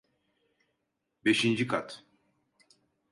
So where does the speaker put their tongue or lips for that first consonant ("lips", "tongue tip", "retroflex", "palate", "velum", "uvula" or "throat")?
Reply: lips